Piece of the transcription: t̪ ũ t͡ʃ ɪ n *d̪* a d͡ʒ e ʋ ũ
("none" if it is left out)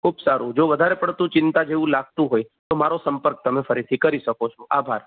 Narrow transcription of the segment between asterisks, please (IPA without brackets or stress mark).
t̪